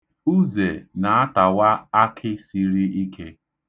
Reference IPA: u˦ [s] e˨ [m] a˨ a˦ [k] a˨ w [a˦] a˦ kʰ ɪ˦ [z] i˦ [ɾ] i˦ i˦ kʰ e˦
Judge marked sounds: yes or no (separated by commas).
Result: no, no, no, yes, no, yes